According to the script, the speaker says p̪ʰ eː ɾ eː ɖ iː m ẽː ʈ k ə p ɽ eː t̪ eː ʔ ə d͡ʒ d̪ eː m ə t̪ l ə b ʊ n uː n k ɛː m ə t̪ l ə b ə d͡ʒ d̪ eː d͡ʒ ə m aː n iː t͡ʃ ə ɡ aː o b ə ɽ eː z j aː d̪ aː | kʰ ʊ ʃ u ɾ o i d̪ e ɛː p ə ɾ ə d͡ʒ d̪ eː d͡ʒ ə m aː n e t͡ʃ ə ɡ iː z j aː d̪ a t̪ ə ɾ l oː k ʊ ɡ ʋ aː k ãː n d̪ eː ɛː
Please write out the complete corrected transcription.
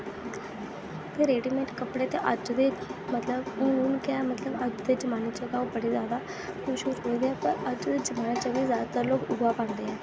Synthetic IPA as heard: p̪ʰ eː ɾ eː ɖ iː m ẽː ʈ k ə p ɽ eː t̪ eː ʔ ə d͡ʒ d̪ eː m ə t̪ l ə b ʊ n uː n k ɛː m ə t̪ l ə b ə d͡ʒ d̪ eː d͡ʒ ə m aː n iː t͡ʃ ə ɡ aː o b ə ɽ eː z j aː d̪ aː | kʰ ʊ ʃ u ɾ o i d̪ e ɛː p ə ɾ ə d͡ʒ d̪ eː d͡ʒ ə m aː n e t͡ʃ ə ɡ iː z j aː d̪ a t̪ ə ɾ l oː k ʊ ɡ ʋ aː p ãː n d̪ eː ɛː

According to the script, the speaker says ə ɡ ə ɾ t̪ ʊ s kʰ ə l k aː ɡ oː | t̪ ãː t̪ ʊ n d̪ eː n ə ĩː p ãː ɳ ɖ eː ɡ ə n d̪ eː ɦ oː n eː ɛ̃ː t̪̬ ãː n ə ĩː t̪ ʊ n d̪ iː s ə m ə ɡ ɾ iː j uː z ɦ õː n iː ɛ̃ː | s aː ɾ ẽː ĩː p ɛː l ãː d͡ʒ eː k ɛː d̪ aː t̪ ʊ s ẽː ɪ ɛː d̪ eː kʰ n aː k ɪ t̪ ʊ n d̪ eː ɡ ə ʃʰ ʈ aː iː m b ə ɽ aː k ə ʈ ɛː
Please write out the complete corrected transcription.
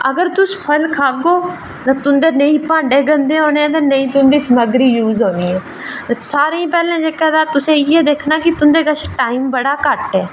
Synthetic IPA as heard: ə ɡ ə ɾ t̪ ʊ s pʰ ə l kʰ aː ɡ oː | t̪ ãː t̪ ʊ n d̪ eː n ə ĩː p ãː ɳ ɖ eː ɡ ə n d̪ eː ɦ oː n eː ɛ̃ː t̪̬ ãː n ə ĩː t̪ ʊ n d̪ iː s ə m ə ɡ ɾ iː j uː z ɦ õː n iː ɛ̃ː | s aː ɾ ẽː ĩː p ɛː l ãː d͡ʒ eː k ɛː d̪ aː t̪ ʊ s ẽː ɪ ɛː d̪ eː kʰ n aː k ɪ t̪ ʊ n d̪ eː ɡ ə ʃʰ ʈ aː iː m b ə ɽ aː k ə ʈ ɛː

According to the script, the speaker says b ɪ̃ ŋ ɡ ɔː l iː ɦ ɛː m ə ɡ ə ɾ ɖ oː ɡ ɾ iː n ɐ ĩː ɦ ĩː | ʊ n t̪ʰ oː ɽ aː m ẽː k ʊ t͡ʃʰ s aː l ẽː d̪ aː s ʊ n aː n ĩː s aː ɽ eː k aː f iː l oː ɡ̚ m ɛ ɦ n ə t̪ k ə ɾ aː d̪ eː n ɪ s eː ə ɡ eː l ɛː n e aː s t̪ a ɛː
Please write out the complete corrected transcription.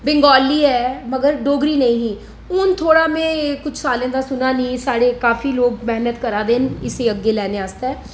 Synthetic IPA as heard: b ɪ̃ ŋ ɡ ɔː l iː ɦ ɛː m ə ɡ ə ɾ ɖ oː ɡ ɾ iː n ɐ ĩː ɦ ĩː | ʊ n t̪ʰ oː ɽ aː m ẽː k ʊ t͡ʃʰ s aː l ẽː d̪ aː s ʊ n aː n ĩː s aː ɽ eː k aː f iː l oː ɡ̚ m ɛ ɦ n ə t̪ k ə ɾ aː d̪ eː n ɪ s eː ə ɡ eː l ɛː n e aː s t̪ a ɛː

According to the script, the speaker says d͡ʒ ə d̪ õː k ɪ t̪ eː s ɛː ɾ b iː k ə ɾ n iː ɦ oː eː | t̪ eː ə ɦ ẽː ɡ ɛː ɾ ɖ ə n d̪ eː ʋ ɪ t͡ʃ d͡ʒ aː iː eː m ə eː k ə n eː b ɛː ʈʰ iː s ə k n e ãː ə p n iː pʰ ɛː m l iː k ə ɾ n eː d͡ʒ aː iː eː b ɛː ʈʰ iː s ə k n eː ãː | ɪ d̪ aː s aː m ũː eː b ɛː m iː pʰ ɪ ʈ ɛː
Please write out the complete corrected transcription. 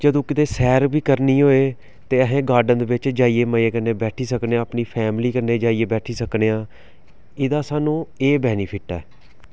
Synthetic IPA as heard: d͡ʒ ə d̪ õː k ɪ t̪ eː s ɛː ɾ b iː k ə ɾ n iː ɦ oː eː | t̪ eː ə ɦ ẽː ɡ aː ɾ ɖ ə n d̪ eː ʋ ɪ t͡ʃ d͡ʒ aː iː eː m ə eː k ə n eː b ɛː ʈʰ iː s ə k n e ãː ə p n iː pʰ ɛː m l iː k ə ɾ n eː d͡ʒ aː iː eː b ɛː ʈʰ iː s ə k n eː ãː | ɪ d̪ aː s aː n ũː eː b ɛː n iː pʰ ɪ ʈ ɛː

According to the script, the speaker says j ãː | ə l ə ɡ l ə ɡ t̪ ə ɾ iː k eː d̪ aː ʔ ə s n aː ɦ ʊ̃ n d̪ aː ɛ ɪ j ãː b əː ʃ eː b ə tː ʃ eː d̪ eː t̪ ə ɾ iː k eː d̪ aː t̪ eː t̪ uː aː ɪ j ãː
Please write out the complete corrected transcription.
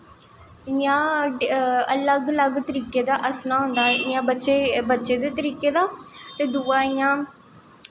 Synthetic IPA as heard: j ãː | ə l ə ɡ l ə ɡ t̪ ə ɾ iː k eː d̪ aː ʔ ə s n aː ɦ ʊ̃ n d̪ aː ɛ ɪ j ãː b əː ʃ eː b ə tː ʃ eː d̪ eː t̪ ə ɾ iː k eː d̪ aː t̪ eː d̪ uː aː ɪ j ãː

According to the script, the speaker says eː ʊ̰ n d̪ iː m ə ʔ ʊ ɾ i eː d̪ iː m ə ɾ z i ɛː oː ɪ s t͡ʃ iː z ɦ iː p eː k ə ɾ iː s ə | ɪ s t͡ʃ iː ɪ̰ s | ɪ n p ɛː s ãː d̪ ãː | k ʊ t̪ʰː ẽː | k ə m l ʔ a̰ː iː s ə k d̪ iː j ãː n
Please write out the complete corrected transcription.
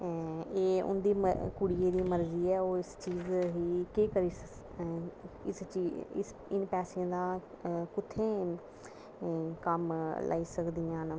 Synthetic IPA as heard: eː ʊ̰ n d̪ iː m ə k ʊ ɽ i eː d̪ iː m ə ɾ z iː ɛː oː ɪ s t͡ʃ iː z ɦ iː k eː k ə ɾ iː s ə | ɪ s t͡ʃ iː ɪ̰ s | ɪ n p ɛː s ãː d̪ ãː | k ʊ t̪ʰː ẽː | k ə m l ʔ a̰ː iː s ə k d̪ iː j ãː n

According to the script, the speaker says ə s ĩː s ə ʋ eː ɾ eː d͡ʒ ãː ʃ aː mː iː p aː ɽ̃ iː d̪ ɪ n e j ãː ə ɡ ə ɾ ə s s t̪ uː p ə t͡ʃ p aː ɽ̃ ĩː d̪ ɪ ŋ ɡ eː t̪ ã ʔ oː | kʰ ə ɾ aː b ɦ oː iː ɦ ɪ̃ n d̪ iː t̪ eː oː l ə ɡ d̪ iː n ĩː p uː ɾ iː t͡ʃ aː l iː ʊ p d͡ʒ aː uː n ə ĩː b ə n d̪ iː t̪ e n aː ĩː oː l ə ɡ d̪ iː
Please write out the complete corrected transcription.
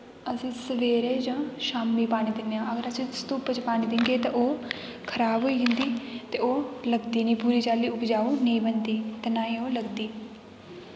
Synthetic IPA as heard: ə s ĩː s ə ʋ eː ɾ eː d͡ʒ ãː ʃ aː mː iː p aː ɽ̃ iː d̪ ɪ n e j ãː ə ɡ ə ɾ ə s s t̪ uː p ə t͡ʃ p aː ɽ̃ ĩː d̪ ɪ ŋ ɡ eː t̪ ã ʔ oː | kʰ ə ɾ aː b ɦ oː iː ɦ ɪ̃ n d̪ iː t̪ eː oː l ə ɡ d̪ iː n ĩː p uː ɾ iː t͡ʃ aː l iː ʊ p d͡ʒ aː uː n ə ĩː b ə n d̪ iː t̪ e n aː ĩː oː l ə ɡ d̪ iː

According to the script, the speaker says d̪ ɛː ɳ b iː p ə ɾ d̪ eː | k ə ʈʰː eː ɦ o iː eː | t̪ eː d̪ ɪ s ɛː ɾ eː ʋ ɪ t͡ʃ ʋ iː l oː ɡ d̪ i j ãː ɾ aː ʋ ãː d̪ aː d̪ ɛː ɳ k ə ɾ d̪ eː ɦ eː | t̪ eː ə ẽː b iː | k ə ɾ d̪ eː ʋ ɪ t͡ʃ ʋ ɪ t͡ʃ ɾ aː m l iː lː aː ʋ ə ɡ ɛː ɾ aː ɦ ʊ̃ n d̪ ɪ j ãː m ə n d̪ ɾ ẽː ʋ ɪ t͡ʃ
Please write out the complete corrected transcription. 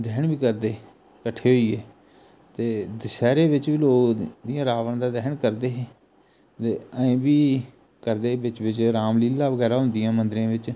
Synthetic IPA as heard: d̪ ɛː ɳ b iː k ə ɾ d̪ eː | k ə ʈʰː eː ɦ o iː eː | t̪ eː d̪ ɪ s ɛː ɾ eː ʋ ɪ t͡ʃ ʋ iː l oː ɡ d̪ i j ãː ɾ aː ʋ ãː d̪ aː d̪ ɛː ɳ k ə ɾ d̪ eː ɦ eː | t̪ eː ə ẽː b iː | k ə ɾ d̪ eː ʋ ɪ t͡ʃ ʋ ɪ t͡ʃ ɾ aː m l iː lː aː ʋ ə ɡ ɛː ɾ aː ɦ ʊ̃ n d̪ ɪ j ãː m ə n d̪ ɾ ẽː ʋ ɪ t͡ʃ

